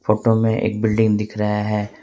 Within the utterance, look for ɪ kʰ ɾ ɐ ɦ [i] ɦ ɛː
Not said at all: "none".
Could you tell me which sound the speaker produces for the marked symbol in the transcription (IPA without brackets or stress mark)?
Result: a